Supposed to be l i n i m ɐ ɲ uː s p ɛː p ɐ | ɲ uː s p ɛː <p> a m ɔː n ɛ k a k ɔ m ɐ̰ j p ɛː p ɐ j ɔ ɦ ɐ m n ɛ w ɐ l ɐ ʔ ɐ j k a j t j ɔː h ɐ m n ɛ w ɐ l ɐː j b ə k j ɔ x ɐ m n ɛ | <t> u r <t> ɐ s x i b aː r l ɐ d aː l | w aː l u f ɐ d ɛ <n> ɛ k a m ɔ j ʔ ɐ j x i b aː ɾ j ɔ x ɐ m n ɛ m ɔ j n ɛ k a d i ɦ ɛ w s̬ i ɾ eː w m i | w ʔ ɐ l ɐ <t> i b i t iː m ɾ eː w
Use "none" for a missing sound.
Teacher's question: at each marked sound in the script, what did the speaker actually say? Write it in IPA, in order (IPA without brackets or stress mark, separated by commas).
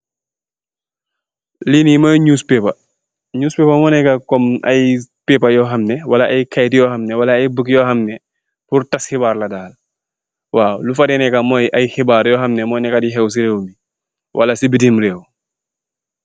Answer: p, p, t, n, s